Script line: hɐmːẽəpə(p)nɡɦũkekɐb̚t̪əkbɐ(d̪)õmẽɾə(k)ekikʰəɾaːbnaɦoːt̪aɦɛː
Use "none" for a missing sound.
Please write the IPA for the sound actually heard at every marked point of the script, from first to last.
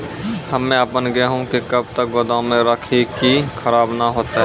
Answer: none, d̪, kʰ

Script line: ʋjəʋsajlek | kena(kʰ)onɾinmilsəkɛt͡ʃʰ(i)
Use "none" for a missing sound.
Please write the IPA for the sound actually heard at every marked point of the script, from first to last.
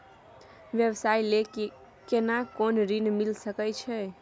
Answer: k, ɛ

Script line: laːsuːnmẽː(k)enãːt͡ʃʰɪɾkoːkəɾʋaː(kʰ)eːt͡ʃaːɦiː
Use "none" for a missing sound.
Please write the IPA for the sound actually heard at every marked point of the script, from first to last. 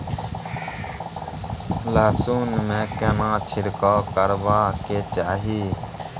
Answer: k, k

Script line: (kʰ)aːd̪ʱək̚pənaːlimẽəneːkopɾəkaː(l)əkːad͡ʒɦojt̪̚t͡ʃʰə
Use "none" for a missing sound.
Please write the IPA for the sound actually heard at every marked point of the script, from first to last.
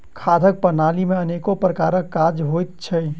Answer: kʰ, ɾ

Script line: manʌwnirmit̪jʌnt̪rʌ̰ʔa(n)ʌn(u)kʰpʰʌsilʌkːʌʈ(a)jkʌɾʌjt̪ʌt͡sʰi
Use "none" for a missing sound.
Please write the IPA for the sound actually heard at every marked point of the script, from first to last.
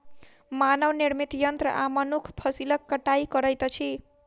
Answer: m, u, a

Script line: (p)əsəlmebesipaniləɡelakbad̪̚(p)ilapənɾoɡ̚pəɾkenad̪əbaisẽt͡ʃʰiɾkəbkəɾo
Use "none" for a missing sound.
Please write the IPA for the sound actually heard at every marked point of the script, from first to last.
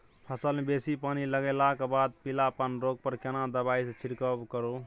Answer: pʰ, p

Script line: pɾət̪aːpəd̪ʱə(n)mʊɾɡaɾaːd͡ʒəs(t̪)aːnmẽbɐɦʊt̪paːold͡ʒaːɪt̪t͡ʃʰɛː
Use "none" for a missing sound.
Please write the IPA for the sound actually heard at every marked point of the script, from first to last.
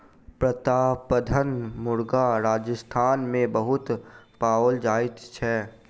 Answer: n, t̪ʰ

